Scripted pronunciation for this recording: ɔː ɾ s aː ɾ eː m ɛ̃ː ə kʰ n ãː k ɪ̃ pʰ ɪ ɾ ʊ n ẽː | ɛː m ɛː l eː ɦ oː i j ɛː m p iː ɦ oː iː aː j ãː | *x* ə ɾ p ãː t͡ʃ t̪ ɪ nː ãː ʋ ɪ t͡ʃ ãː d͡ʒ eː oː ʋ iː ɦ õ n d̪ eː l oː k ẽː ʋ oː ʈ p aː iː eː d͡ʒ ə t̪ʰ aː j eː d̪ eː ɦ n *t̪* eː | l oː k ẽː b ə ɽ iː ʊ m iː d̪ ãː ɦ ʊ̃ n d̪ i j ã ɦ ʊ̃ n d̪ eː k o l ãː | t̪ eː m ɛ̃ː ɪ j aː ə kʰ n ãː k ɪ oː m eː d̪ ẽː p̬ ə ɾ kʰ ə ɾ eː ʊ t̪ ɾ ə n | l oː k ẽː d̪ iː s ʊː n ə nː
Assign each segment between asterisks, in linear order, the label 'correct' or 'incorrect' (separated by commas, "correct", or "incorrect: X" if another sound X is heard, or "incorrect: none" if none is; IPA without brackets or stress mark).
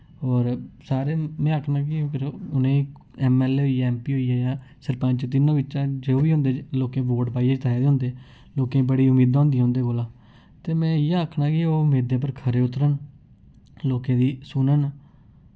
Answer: incorrect: s, incorrect: d̪